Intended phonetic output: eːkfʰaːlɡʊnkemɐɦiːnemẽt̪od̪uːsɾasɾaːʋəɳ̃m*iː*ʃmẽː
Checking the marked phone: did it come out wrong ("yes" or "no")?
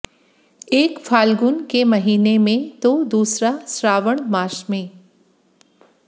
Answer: yes